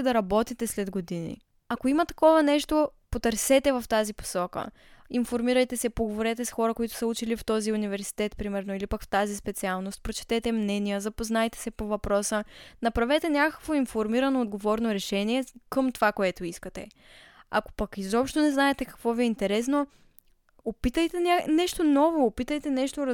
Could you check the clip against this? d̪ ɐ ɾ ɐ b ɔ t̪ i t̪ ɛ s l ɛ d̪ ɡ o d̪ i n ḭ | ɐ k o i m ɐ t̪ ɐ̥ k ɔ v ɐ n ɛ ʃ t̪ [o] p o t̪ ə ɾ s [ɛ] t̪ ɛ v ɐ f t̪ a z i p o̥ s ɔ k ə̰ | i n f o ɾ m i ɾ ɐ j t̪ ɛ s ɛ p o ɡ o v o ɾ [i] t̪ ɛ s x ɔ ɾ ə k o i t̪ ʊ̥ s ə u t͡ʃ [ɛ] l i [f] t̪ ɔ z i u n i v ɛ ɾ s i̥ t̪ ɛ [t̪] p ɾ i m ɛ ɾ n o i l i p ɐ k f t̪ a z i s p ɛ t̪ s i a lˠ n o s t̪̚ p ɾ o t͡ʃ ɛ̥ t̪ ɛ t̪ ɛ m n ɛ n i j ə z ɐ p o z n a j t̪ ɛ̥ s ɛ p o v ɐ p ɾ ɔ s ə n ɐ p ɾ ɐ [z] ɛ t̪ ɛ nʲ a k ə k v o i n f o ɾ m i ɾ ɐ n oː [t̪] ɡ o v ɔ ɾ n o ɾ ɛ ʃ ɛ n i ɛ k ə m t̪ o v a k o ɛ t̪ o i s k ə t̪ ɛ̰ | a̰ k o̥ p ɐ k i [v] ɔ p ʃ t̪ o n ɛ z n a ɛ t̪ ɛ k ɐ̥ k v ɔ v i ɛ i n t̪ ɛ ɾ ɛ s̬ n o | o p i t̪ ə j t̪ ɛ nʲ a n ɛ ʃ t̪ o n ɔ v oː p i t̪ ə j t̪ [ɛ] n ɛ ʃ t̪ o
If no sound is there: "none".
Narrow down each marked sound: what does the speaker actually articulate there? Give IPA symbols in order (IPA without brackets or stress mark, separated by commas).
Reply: o, ɛ, ɛ, i, f, t̪, v, d̪, z, ɛ